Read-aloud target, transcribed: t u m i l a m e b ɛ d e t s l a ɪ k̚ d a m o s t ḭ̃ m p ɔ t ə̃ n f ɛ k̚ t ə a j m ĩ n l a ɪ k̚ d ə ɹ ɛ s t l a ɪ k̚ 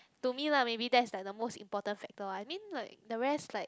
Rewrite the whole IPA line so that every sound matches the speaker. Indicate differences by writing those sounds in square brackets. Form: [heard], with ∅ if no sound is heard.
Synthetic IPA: t u m i l a m e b [i] d [ɛ] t s l a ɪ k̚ d [ə] m o s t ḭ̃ m p ɔ t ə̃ n f ɛ k̚ t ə a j m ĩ n l a ɪ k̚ d ə ɹ ɛ s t l a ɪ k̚